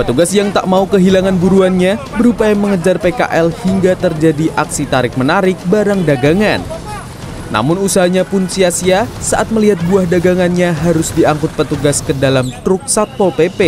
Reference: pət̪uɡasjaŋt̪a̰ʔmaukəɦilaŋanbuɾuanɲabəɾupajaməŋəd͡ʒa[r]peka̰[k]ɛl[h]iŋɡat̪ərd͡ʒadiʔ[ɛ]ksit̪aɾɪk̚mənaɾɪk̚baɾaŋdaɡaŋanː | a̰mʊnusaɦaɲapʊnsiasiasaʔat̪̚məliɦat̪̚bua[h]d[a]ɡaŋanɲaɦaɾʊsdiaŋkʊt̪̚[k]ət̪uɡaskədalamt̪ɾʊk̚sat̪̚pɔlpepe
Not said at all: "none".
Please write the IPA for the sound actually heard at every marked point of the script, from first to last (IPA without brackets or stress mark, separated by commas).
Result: r, ʔ, h, a, h, a, p